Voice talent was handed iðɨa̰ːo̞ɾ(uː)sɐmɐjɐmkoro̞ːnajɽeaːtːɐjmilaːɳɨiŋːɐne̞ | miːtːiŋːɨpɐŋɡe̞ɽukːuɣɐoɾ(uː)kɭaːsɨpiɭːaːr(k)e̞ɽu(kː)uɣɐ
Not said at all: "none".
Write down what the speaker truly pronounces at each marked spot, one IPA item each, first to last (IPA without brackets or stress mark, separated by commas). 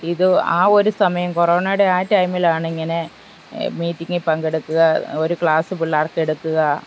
u, u, k, kː